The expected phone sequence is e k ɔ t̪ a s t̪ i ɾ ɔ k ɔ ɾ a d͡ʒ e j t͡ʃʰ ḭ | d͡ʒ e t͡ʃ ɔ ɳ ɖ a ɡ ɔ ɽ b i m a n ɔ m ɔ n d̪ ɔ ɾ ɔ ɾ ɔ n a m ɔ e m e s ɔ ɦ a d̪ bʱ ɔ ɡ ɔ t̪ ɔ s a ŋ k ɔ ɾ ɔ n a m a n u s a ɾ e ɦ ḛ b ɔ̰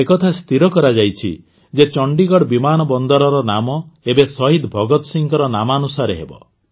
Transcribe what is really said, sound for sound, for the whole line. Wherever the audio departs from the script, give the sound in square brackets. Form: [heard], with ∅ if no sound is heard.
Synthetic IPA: e k ɔ [t̪ʰ] a s t̪ i ɾ ɔ k ɔ ɾ a d͡ʒ [a] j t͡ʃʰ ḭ | d͡ʒ e t͡ʃ ɔ ɳ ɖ [i] ɡ ɔ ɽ b i m a n ɔ [b] ɔ n d̪ ɔ ɾ ɔ ɾ ɔ n a m ɔ e [b] e s ɔ ɦ [i] d̪ bʱ ɔ ɡ ɔ t̪ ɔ s [i] ŋ k ɔ ɾ ɔ n a m a n u s a ɾ e ɦ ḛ b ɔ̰